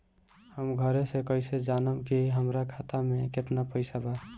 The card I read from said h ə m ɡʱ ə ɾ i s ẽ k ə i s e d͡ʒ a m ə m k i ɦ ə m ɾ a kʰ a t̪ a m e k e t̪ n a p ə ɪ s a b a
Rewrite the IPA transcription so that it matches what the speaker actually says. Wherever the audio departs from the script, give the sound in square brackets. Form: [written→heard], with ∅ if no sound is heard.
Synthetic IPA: h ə m ɡʱ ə ɾ [i→e] s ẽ k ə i s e d͡ʒ a [m→n] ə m k i ɦ ə m ɾ a kʰ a t̪ a m e k e t̪ n a p ə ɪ s a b a